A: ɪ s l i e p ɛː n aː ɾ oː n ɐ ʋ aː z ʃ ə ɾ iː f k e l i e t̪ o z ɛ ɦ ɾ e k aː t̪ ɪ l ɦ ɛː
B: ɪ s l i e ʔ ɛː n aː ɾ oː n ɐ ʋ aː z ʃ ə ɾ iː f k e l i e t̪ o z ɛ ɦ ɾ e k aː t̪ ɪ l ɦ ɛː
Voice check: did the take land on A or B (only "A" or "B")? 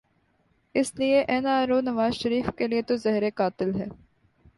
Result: B